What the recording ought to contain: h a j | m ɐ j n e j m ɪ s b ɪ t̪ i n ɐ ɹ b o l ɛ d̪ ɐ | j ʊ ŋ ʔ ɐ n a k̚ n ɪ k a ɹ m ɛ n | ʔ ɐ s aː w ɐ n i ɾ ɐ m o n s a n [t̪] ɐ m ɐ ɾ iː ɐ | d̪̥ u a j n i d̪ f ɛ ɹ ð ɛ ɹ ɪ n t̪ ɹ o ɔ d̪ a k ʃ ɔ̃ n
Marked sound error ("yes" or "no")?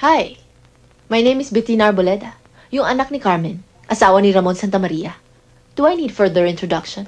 no